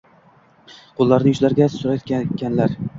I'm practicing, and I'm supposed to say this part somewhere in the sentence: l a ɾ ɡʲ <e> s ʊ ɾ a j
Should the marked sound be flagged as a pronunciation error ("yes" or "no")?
yes